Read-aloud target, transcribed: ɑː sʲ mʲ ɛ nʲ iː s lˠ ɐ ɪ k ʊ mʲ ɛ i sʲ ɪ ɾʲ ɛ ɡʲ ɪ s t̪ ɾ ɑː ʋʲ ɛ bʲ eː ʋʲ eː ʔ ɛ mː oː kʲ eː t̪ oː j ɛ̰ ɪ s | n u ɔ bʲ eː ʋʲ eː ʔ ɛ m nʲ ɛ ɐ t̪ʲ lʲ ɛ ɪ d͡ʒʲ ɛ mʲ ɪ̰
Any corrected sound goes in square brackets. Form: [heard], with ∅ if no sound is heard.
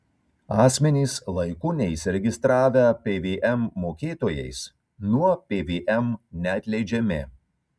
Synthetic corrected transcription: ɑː sʲ mʲ ɛ nʲ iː s lˠ ɐ ɪ k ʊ [nʲ] ɛ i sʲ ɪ ɾʲ ɛ ɡʲ ɪ s t̪ ɾ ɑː ʋʲ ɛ [pʲ] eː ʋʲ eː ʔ ɛ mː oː kʲ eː t̪ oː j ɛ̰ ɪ s | n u ɔ [pʲ] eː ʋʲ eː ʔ ɛ m nʲ ɛ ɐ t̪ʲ lʲ ɛ ɪ d͡ʒʲ ɛ mʲ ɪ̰

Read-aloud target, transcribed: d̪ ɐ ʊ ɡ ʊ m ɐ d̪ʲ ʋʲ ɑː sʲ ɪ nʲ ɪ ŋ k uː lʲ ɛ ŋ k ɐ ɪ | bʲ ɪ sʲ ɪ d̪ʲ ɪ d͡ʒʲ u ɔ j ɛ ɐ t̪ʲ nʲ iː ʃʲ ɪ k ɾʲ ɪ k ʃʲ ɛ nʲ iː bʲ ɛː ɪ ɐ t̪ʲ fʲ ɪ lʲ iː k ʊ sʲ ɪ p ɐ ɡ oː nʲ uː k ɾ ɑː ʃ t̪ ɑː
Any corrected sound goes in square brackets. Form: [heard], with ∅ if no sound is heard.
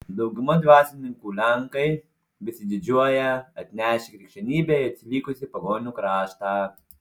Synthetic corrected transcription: d̪ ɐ ʊ ɡ ʊ m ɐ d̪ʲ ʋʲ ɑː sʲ ɪ nʲ ɪ ŋ k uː lʲ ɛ ŋ k ɐ ɪ | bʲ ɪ sʲ ɪ d̪ʲ ɪ d͡ʒʲ u ɔ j ɛ ɐ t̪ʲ nʲ [æː] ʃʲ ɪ k ɾʲ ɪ k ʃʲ ɛ nʲ iː bʲ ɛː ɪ ɐ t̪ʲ [sʲ] ɪ lʲ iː k ʊ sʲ ɪ p ɐ ɡ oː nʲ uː k ɾ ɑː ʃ t̪ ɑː

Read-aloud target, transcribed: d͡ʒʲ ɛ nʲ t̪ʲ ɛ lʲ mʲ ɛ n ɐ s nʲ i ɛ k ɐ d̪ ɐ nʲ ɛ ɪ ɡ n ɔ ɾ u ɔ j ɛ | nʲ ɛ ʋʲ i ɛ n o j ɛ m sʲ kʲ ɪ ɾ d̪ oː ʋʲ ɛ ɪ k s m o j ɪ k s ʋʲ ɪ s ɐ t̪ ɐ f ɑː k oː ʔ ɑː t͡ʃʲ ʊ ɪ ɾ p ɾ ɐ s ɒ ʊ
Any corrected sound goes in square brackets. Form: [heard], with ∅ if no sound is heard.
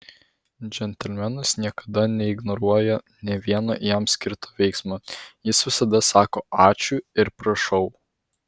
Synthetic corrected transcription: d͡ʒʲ ɛ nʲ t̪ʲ ɛ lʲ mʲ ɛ n ɐ s nʲ i ɛ k ɐ d̪ ɐ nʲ ɛ ɪ ɡ n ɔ ɾ u ɔ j ɛ | nʲ ɛ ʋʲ i ɛ n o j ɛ m sʲ kʲ ɪ ɾ [t̪] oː ʋʲ ɛ ɪ k s m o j ɪ [∅] s ʋʲ ɪ s ɐ [d̪] ɐ [s] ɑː k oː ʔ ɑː t͡ʃʲ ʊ ɪ ɾ p ɾ ɐ [ʃ] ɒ ʊ

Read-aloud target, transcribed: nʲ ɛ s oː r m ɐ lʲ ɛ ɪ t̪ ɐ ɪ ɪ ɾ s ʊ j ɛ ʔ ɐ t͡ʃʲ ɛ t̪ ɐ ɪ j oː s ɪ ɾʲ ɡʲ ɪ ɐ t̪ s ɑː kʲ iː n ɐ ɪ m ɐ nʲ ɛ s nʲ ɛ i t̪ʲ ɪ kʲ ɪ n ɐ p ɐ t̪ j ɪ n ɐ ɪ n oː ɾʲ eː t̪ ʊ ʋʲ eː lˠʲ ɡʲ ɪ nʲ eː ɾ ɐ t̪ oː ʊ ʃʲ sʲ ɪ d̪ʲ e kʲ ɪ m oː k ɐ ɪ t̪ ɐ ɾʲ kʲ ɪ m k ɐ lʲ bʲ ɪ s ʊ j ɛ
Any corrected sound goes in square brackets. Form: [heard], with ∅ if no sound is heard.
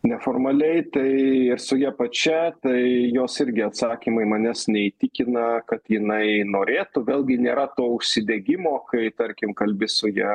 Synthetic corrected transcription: nʲ ɛ [f] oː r m ɐ lʲ ɛ ɪ t̪ ɐ ɪ ɪ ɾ s ʊ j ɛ [p] ɐ t͡ʃʲ ɛ t̪ ɐ ɪ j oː s ɪ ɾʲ ɡʲ ɪ ɐ t̪ s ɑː kʲ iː [m] ɐ ɪ m ɐ nʲ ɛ s nʲ ɛ i t̪ʲ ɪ kʲ ɪ n ɐ [k] ɐ t̪ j ɪ n ɐ ɪ n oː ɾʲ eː t̪ ʊ ʋʲ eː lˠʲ ɡʲ ɪ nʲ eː ɾ ɐ t̪ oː ʊ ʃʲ sʲ ɪ d̪ʲ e [ɡʲ] ɪ m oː k ɐ ɪ t̪ ɐ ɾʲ kʲ ɪ m k ɐ lʲ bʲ ɪ s ʊ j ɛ

